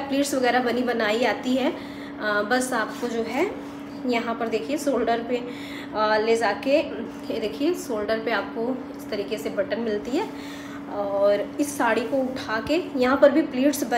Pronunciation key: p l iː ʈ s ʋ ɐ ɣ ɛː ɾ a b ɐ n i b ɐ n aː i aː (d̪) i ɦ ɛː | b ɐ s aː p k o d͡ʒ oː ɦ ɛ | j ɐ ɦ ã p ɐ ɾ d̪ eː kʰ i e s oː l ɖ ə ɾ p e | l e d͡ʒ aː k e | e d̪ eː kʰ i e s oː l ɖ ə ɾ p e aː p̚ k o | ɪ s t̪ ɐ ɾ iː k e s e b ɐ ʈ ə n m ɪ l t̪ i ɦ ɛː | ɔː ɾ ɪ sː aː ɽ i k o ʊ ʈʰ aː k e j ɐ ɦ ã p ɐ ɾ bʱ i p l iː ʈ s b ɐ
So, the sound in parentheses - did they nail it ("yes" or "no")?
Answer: no